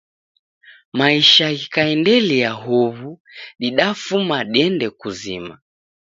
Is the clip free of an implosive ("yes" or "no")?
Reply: no